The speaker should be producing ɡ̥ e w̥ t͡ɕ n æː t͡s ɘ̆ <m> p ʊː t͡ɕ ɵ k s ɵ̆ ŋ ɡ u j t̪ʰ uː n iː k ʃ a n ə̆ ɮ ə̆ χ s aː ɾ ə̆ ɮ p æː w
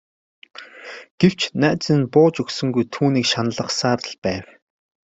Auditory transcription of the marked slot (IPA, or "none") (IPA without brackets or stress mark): n